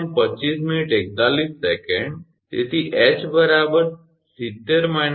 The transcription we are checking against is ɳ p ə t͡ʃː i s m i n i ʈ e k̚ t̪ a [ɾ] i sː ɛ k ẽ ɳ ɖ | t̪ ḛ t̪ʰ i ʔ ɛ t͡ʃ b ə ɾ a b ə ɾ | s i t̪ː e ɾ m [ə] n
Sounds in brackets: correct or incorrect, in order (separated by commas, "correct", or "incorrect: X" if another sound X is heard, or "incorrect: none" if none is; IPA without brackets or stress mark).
incorrect: l, incorrect: a